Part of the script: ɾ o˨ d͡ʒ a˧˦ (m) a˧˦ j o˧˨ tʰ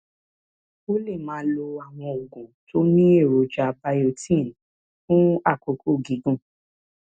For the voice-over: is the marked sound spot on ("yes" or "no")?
no